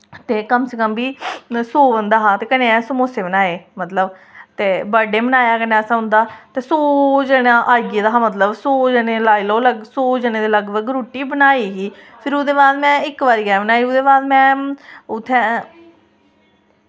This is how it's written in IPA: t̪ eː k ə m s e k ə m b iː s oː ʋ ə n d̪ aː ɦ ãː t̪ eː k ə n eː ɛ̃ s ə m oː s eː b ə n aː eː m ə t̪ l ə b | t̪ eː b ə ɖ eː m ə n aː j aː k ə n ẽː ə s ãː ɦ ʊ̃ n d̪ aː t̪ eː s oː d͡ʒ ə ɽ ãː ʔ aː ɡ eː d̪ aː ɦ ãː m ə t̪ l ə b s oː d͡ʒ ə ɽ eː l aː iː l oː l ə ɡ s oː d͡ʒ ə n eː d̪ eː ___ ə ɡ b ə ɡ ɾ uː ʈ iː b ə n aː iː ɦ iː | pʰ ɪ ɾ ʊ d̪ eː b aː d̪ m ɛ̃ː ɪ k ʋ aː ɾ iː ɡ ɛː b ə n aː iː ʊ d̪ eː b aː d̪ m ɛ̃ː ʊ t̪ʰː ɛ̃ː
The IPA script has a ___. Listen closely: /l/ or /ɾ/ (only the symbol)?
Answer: l